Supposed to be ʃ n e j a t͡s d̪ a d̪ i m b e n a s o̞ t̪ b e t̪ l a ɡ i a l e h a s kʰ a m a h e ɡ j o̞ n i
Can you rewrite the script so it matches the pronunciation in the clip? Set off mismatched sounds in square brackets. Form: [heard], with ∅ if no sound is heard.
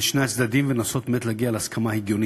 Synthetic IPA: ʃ n e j a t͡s d̪ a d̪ i m [v] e n a s o̞ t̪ [m] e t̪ l a ɡ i a l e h a s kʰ a m a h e ɡ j o̞ n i